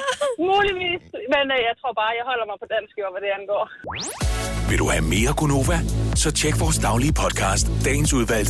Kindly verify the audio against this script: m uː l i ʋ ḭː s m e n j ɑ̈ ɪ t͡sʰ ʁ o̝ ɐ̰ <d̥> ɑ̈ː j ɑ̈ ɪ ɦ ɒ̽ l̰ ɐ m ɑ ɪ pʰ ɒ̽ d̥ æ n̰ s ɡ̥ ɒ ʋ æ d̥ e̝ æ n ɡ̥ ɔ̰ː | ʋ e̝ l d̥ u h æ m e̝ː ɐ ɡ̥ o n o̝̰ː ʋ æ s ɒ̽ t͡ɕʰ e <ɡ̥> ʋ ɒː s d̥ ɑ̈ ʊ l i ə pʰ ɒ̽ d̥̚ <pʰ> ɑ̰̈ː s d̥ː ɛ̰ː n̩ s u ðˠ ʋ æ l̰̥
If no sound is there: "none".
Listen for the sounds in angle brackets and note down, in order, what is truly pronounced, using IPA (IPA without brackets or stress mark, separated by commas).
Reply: b̥, ɡ̥, kʰ